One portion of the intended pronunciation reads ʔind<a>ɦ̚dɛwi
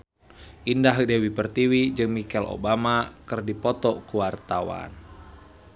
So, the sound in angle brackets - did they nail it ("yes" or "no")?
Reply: yes